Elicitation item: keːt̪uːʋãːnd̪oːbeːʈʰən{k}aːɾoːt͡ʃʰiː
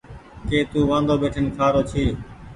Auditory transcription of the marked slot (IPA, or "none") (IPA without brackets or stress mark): kʰ